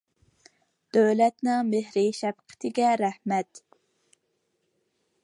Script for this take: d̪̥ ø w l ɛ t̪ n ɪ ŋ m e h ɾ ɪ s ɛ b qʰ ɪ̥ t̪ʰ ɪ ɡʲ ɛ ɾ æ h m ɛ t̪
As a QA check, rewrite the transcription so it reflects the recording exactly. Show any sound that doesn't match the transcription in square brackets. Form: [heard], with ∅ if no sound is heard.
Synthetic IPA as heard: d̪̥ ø w l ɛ t̪ n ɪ ŋ m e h ɾ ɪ [ʃ] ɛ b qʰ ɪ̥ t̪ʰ ɪ ɡʲ ɛ ɾ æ h m ɛ t̪